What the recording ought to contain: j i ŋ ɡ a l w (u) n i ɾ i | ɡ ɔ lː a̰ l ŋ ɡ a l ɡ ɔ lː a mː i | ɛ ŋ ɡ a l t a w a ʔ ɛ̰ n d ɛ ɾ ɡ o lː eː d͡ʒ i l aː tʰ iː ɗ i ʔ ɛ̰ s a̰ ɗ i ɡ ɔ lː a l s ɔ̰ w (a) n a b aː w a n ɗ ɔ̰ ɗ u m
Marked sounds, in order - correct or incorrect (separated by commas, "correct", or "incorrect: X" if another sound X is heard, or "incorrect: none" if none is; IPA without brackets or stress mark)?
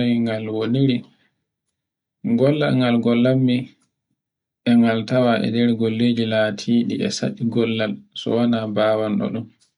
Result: incorrect: o, correct